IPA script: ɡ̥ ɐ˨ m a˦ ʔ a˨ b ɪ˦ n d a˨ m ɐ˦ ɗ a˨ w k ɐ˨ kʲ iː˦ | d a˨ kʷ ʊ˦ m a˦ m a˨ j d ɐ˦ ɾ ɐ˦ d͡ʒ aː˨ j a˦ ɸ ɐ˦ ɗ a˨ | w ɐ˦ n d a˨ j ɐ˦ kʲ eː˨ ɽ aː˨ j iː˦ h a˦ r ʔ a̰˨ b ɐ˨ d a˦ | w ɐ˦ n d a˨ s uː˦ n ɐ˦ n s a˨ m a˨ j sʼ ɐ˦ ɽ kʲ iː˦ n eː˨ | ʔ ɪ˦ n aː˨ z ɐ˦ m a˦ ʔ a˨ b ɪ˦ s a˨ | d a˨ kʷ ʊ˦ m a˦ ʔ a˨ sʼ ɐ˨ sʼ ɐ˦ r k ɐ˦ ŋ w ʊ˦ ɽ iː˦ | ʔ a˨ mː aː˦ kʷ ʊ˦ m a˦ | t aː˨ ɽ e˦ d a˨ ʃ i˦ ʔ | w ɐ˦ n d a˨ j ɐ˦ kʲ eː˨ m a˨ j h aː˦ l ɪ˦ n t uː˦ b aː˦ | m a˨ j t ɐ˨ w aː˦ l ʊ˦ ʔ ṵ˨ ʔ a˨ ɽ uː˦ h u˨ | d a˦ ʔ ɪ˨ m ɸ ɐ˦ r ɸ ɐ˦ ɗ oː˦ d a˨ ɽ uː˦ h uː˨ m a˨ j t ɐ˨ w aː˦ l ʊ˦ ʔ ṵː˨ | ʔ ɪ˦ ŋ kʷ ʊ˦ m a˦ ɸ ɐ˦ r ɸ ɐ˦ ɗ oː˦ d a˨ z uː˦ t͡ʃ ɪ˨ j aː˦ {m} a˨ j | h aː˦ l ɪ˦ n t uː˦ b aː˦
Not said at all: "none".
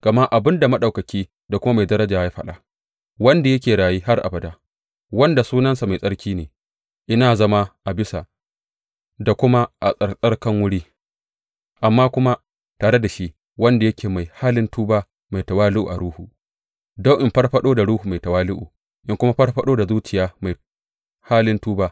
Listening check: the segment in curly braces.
m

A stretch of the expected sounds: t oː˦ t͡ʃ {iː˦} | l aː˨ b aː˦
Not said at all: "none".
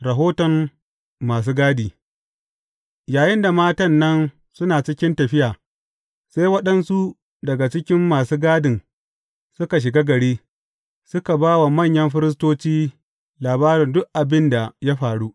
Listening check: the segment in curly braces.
iː˦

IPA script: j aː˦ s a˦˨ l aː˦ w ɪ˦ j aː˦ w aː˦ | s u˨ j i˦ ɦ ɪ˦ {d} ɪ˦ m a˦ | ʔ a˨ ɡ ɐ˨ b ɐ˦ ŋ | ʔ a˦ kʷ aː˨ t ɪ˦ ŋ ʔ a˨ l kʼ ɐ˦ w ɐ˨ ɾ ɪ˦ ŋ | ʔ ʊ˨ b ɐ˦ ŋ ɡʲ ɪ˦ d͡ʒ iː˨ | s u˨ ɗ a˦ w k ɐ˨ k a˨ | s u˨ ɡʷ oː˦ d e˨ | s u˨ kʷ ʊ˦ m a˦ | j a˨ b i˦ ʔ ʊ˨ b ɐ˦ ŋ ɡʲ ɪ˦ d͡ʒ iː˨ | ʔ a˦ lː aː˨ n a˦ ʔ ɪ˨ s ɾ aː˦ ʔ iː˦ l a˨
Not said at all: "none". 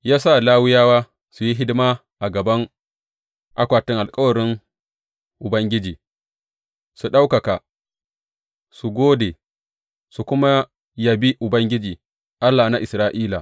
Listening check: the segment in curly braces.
d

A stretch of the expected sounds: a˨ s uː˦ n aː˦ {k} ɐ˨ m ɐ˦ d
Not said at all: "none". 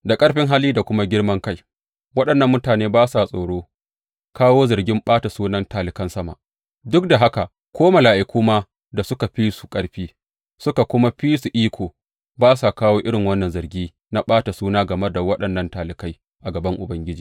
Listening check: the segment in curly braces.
ɡ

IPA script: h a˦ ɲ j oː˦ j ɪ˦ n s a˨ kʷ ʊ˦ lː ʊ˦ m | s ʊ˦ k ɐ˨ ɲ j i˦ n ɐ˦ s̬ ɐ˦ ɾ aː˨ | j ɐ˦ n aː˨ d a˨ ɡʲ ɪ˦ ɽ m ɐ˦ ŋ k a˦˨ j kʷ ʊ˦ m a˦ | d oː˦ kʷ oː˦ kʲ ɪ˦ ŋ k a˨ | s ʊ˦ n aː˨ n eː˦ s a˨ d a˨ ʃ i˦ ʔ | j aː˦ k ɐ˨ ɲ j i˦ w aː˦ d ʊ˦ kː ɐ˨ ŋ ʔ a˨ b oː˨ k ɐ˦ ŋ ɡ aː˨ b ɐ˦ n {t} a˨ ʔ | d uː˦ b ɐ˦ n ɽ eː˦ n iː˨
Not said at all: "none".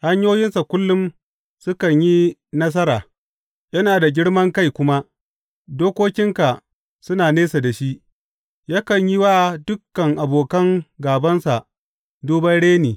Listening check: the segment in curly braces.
s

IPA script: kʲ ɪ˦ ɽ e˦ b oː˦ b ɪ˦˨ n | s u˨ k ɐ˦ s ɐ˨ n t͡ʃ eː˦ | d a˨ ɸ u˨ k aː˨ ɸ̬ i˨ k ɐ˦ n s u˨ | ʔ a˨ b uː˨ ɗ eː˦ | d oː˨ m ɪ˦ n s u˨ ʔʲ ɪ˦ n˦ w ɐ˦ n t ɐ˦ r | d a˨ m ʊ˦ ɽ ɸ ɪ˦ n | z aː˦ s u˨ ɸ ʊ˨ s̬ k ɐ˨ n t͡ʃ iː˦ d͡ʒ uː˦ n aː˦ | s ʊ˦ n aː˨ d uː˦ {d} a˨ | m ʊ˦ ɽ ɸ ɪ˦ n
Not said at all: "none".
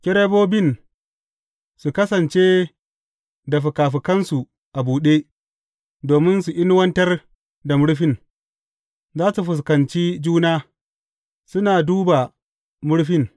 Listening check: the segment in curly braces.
b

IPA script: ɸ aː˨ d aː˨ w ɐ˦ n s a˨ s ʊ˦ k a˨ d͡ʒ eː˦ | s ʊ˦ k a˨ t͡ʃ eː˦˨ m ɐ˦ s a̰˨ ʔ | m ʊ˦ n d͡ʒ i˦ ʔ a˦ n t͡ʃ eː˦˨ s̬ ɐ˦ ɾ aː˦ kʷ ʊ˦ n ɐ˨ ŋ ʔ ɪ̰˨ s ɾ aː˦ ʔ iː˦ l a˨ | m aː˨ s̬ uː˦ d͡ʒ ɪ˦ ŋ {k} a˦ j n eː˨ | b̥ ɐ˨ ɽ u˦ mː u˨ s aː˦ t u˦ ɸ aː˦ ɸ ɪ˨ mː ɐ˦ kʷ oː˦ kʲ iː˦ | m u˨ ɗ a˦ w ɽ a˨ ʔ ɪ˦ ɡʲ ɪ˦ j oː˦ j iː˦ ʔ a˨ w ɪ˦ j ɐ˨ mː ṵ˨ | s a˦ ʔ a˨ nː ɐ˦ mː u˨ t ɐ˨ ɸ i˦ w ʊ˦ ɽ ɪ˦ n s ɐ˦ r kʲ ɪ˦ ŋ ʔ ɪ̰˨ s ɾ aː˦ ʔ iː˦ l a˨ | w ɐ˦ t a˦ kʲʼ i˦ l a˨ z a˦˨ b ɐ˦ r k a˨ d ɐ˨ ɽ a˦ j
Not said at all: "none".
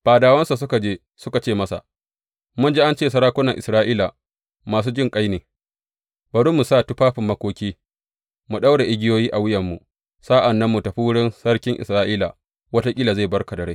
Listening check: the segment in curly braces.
kʼ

